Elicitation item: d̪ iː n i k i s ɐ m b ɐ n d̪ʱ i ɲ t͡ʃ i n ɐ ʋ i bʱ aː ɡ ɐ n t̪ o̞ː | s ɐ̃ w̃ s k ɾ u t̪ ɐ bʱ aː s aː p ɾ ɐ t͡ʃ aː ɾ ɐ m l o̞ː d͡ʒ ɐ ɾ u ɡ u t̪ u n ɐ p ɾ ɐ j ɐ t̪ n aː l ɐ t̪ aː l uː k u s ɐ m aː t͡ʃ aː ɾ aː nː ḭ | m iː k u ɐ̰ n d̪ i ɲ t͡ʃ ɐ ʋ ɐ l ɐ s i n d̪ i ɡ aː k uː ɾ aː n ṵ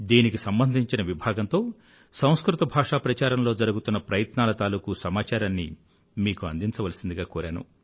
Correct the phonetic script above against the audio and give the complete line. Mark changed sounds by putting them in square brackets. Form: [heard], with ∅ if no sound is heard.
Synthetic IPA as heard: d̪ iː n i k i s ɐ m b ɐ n d̪ʱ i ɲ t͡ʃ i n ɐ ʋ i bʱ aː ɡ ɐ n t̪ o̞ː | s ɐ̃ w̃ s k ɾ u t̪ ɐ bʱ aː [ʂ] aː p ɾ ɐ t͡ʃ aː ɾ ɐ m l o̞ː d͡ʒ ɐ ɾ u ɡ u t̪ u [nː] ɐ p ɾ ɐ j ɐ t̪ n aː l ɐ t̪ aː l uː k u s ɐ m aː t͡ʃ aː ɾ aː nː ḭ | m iː k u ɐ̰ n d̪ i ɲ t͡ʃ ɐ ʋ ɐ l ɐ s i n d̪ i ɡ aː k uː ɾ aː n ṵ